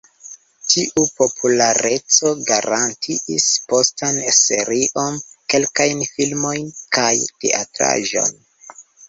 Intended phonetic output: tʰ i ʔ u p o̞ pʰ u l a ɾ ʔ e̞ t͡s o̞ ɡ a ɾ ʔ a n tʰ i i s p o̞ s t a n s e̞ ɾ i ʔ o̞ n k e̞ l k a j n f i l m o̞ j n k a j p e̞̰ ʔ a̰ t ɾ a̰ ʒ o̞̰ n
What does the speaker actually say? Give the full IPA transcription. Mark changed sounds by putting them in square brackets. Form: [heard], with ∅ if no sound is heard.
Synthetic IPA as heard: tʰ i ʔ u p o̞ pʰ u l a ɾ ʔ e̞ t͡s o̞ ɡ a ɾ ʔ a n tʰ i i s p o̞ s t a n s e̞ ɾ i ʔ o̞ n k e̞ l k a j n f i l m o̞ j n k a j [t] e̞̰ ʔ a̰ t ɾ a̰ ʒ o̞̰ n

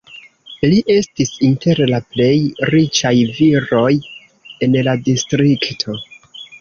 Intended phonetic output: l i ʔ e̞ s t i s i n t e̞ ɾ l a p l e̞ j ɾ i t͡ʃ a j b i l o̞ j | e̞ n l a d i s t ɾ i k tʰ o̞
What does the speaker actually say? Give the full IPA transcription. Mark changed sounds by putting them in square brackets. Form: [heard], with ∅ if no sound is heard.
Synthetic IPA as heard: l i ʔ e̞ s t i s i n t e̞ ɾ l a p l e̞ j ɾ i t͡ʃ a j [v] i [ɾ] o̞ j | e̞ n l a d i s t ɾ i k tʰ o̞

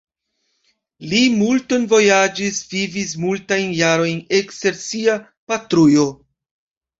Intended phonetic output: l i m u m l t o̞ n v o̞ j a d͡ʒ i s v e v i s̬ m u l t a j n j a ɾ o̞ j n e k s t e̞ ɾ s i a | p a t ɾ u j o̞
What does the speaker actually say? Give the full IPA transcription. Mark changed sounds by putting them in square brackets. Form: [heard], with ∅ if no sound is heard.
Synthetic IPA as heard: l i m u [∅] l t o̞ n v o̞ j a d͡ʒ i s v [i] v i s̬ m u l t a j n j a ɾ o̞ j n e k s t e̞ ɾ s i a | p a t ɾ u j o̞

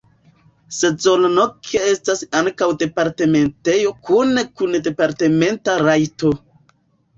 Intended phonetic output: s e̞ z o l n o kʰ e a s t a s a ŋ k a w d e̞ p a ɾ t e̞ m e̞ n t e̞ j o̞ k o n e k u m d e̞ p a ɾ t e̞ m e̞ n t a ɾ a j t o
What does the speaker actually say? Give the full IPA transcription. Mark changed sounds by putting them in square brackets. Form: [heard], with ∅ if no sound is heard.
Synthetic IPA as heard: s e̞ z o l n o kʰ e [e] s t a s a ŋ k a w d e̞ p a ɾ t e̞ m e̞ n t e̞ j o̞ k [u] n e k u [n] d e̞ p a ɾ t e̞ m e̞ n t a ɾ a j t o

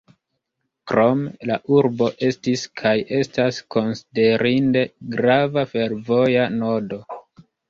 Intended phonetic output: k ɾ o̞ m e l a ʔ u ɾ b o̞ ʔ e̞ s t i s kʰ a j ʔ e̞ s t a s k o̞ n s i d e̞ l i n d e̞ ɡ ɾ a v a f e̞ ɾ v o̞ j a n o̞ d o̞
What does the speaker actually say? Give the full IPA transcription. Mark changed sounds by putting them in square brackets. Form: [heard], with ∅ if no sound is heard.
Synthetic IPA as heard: k ɾ o̞ m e l a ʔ u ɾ b o̞ ʔ e̞ s t i s kʰ a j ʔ e̞ s t a s k o̞ n s i d e̞ [ɾ] i n d e̞ ɡ ɾ a v a f e̞ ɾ v o̞ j a n o̞ d o̞

